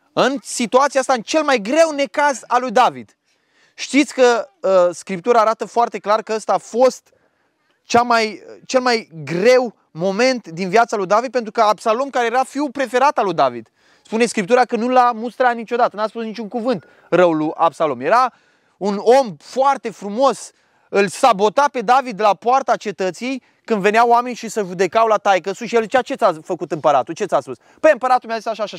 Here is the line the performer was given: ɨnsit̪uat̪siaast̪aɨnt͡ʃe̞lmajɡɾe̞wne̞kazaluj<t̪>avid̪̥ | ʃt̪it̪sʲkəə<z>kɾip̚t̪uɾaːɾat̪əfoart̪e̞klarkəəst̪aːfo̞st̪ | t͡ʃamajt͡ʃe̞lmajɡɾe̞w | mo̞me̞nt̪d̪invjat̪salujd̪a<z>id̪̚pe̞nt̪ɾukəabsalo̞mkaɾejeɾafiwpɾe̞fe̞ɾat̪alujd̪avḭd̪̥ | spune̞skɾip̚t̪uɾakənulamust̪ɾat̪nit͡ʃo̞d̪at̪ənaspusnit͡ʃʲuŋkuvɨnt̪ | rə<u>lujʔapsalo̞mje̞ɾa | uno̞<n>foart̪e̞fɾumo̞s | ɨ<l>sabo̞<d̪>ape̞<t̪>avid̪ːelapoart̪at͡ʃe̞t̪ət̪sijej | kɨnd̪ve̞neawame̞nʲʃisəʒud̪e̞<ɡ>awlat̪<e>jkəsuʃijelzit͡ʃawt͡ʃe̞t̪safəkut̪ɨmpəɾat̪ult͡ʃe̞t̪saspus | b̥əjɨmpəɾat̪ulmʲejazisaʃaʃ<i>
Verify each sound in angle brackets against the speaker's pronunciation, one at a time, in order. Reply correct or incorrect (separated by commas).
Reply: incorrect, incorrect, incorrect, incorrect, incorrect, correct, incorrect, incorrect, incorrect, incorrect, incorrect